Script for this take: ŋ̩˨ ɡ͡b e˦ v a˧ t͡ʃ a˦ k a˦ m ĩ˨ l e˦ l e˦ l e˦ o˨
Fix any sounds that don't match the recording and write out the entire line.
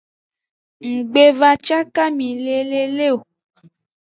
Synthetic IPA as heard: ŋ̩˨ ɡ͡b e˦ v a˧ t͡ʃ a˦ k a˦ m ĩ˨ l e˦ l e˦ l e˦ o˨